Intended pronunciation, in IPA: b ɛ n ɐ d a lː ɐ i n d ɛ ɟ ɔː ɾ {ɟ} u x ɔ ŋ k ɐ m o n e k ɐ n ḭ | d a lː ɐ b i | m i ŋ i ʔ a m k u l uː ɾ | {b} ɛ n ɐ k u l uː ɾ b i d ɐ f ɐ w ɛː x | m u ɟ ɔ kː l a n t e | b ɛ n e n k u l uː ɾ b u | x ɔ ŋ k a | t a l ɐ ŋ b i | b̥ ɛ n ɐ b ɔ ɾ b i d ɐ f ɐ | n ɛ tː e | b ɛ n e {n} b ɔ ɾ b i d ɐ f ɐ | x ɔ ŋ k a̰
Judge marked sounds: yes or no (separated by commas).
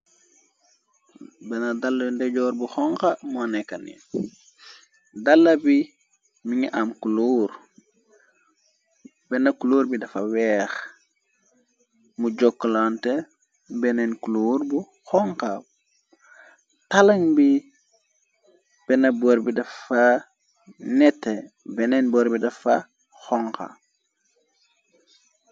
no, yes, yes